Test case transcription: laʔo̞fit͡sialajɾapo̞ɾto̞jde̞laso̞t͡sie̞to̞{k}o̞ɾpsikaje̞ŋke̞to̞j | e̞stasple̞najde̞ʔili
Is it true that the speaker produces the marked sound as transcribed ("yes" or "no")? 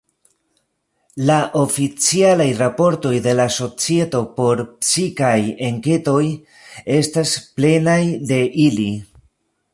no